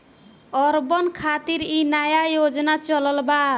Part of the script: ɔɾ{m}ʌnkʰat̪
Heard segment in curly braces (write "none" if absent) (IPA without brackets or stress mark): b